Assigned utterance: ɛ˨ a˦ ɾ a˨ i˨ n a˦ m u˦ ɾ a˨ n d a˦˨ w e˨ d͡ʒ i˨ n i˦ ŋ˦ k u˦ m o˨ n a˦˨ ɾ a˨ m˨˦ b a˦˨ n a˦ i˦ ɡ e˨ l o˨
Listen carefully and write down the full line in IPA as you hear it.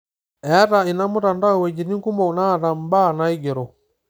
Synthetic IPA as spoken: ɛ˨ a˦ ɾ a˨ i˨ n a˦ m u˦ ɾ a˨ n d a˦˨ w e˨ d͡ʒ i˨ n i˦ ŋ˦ k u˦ m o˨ n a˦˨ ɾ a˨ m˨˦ b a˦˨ n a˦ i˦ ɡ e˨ ɾ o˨